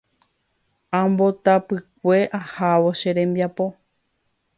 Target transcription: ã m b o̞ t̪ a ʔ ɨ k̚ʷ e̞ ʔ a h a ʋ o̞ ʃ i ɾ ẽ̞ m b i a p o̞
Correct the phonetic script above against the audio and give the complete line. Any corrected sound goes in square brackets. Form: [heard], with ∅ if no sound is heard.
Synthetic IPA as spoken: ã m b o̞ t̪ a [p] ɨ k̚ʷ e̞ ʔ a h a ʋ o̞ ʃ [e] ɾ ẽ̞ m b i a p o̞